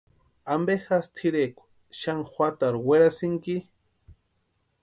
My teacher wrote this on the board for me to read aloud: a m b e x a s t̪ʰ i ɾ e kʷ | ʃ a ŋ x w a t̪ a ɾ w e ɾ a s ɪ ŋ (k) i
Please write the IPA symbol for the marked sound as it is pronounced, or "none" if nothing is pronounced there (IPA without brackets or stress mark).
k